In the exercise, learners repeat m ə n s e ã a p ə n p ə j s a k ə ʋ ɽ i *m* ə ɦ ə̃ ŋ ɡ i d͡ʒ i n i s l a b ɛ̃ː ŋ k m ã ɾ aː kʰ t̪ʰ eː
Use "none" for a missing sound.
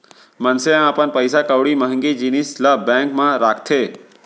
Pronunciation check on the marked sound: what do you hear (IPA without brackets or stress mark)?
m